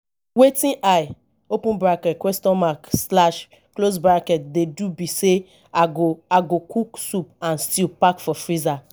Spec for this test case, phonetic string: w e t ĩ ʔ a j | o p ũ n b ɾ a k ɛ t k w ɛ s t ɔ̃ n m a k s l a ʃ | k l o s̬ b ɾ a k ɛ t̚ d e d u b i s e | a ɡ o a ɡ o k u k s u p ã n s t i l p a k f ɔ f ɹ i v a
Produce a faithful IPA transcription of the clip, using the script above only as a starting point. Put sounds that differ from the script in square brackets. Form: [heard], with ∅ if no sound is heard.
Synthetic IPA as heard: w e t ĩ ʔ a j | o p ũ n b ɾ a k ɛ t k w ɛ s t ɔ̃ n m a k s l a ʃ | k l o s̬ b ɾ a k ɛ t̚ d e d u b i s e | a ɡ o a ɡ o k u k s u p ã n s t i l p a k f ɔ f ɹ i [z] a